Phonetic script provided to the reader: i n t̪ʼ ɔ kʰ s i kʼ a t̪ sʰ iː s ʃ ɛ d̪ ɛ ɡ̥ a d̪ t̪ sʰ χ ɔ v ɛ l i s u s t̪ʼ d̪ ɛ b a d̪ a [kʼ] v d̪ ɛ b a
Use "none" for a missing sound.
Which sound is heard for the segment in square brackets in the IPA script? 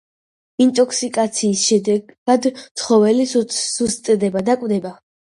kʼ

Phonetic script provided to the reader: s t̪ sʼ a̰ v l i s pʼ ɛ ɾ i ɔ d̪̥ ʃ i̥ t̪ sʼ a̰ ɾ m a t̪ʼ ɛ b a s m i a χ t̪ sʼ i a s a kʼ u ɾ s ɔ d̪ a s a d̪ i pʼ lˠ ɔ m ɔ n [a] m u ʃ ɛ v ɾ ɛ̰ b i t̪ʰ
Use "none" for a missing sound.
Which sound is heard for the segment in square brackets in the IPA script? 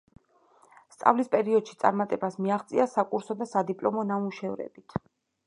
a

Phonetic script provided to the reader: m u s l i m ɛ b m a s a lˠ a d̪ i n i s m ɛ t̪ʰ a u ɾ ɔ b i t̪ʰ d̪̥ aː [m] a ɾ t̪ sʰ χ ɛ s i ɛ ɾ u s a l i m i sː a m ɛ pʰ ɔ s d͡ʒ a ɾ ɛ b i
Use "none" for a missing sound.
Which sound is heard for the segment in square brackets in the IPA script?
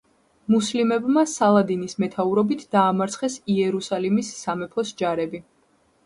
m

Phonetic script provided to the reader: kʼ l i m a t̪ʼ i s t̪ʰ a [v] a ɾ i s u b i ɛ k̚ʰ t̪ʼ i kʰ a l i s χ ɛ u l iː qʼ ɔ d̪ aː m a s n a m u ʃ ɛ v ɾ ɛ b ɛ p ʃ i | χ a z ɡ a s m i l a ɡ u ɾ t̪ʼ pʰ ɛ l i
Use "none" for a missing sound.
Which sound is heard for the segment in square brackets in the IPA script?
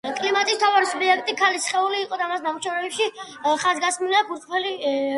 v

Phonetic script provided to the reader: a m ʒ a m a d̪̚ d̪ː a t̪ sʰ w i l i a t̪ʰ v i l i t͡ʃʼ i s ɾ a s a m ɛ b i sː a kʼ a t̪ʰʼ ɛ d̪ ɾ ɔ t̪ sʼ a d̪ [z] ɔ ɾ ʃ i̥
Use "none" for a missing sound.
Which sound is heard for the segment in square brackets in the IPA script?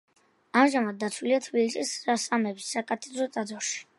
z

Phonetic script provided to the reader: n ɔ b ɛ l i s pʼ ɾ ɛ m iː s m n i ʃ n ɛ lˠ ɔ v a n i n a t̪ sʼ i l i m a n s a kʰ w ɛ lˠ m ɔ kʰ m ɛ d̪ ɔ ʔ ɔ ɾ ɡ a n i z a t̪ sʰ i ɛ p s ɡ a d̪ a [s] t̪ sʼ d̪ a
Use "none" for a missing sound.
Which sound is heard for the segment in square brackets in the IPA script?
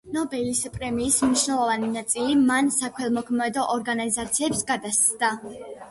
s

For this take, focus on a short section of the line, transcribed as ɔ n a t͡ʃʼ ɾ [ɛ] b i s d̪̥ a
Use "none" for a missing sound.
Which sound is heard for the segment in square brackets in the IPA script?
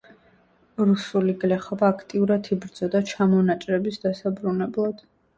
ɛ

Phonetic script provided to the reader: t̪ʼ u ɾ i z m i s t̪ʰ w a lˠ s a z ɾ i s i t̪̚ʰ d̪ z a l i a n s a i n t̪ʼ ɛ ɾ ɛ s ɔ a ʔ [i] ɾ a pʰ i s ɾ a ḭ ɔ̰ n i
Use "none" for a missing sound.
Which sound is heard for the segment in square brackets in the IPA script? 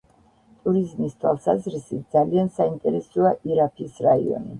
i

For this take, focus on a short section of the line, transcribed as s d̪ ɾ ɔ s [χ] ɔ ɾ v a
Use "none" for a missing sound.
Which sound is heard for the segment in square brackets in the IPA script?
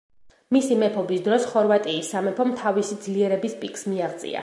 χ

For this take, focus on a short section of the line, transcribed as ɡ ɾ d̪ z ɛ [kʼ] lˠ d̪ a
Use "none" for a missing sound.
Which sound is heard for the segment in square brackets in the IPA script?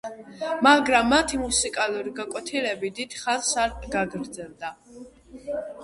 none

